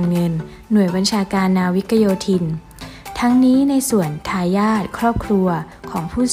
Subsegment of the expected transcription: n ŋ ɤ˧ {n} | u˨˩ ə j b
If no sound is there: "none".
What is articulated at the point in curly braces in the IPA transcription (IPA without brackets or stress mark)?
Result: nː